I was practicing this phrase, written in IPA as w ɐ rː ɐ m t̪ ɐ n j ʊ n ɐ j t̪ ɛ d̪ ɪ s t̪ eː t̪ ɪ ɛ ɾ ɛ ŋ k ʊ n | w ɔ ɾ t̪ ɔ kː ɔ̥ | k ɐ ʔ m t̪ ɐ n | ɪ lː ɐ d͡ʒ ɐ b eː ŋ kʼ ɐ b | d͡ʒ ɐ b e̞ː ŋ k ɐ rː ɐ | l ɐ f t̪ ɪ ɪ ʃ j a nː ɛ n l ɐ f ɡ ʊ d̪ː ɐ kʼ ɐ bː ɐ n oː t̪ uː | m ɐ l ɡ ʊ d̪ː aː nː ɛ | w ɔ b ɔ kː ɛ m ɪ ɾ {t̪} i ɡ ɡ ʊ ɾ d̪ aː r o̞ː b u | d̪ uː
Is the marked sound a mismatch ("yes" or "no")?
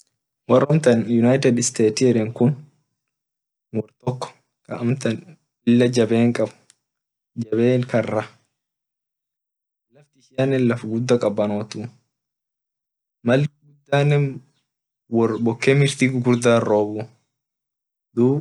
no